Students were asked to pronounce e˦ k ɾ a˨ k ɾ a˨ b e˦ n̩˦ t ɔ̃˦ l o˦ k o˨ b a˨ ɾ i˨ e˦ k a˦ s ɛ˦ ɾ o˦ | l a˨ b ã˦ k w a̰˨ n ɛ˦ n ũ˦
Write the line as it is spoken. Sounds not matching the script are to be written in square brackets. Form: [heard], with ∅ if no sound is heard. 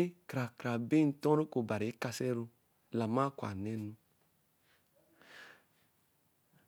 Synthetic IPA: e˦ k ɾ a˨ k ɾ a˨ b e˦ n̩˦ t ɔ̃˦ [ɾ] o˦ k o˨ b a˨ ɾ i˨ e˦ k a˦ s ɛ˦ ɾ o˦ | l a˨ [m] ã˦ k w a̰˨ n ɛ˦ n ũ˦